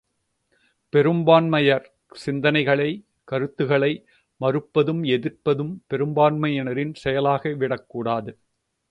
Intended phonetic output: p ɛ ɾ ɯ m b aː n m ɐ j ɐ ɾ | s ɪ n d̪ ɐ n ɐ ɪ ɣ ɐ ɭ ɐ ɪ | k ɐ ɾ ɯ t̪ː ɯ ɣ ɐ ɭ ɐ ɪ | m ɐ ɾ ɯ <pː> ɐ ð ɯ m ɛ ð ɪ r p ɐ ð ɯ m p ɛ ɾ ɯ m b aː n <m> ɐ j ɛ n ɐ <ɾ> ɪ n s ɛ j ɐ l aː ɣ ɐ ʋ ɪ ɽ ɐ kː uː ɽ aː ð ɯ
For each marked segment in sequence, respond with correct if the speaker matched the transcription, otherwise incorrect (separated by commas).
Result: correct, correct, correct